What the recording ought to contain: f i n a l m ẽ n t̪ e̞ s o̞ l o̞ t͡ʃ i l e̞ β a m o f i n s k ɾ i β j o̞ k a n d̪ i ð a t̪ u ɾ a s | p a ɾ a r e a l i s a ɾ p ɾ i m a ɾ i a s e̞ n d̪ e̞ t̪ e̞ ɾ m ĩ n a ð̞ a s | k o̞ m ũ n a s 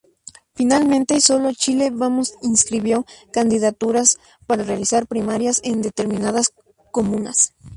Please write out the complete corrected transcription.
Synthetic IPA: f i n a l m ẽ n t̪ e̞ s o̞ l o̞ t͡ʃ i l e̞ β a m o s i n s k ɾ i β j o̞ k a n d̪ i ð a t̪ u ɾ a s | p a ɾ a r e a l i s a ɾ p ɾ i m a ɾ j a s e̞ n d̪ e̞ t̪ e̞ ɾ m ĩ n a ð̞ a s | k o̞ m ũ n a s